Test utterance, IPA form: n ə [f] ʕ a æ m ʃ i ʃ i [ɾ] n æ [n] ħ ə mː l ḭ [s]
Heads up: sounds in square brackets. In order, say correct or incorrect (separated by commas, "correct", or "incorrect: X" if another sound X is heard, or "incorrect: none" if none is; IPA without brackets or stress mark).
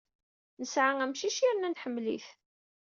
incorrect: s, correct, correct, incorrect: θ